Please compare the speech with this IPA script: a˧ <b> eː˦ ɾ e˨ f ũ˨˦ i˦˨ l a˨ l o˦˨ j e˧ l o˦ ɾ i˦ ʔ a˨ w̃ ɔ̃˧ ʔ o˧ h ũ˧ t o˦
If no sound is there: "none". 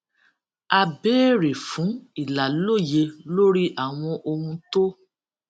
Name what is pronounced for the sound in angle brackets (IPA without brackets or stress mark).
b